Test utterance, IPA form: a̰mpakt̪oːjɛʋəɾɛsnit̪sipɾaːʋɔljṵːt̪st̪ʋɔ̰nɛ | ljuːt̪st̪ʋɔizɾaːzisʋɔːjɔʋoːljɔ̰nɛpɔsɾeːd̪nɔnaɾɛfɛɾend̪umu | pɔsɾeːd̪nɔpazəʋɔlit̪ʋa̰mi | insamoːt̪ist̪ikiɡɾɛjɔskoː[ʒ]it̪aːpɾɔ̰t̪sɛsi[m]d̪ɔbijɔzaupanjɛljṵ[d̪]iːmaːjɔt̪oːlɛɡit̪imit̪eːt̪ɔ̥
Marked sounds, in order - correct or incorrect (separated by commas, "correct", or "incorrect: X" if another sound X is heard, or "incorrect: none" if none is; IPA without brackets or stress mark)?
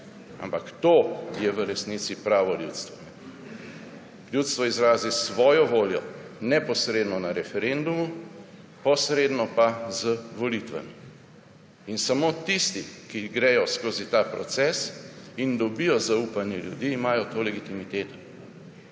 incorrect: z, incorrect: n, correct